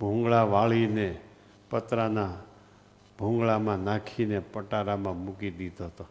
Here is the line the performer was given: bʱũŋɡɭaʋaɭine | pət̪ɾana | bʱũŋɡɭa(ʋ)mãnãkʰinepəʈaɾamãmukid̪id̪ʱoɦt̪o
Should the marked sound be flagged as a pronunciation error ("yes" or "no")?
yes